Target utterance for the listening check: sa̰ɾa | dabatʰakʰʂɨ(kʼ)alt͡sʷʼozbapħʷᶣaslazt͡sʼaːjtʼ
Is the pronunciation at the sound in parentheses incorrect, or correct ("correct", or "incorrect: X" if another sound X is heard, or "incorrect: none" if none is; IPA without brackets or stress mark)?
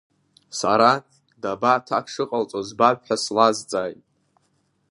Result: incorrect: qʼ